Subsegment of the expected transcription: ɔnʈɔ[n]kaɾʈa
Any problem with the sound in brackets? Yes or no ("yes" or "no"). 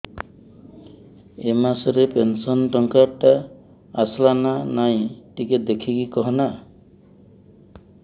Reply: yes